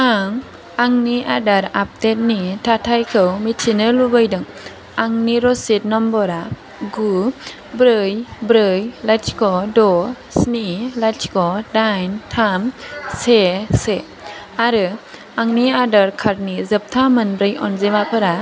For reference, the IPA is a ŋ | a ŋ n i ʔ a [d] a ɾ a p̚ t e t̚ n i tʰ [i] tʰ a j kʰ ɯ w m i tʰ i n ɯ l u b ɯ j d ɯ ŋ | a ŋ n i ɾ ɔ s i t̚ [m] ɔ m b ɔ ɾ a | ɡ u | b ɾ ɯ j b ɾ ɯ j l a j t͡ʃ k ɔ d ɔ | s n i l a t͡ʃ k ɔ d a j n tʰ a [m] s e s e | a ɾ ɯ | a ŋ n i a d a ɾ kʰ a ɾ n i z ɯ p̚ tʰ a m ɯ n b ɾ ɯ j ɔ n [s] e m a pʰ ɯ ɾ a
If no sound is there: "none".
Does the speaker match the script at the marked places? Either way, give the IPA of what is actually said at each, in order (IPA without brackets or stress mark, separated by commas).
d, a, n, m, z